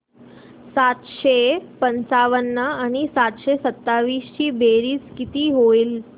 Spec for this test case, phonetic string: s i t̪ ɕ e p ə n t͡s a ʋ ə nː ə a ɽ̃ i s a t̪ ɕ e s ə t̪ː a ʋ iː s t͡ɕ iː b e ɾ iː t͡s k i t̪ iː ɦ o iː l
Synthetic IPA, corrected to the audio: s a t̪ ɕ e p ə n t͡s a ʋ ə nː ə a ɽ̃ i s a t̪ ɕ e s ə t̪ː a ʋ iː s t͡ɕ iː b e ɾ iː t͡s k i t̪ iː ɦ o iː l